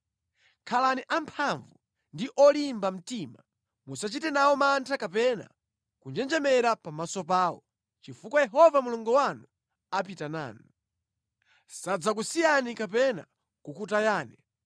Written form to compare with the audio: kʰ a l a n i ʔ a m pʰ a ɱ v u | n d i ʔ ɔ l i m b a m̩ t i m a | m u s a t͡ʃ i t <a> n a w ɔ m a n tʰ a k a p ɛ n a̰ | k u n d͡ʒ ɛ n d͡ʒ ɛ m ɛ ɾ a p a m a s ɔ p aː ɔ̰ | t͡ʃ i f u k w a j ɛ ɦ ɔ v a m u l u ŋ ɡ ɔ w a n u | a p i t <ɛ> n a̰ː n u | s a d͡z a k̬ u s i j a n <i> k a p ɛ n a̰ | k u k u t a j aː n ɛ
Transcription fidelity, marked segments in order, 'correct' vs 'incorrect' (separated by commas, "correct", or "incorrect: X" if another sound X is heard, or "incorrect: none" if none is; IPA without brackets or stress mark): incorrect: ɛ, incorrect: a, correct